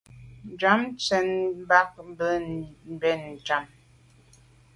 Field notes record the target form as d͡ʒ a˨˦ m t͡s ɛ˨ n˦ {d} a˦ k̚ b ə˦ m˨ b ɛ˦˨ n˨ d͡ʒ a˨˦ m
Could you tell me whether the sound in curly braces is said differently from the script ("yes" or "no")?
yes